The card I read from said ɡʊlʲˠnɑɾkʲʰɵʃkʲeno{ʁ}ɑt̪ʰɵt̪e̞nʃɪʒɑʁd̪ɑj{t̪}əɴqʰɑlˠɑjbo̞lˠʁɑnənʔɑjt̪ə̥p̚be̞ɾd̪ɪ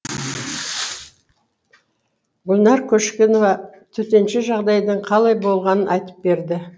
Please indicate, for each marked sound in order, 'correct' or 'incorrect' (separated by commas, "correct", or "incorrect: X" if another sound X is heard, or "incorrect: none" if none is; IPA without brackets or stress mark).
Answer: incorrect: v, incorrect: d̪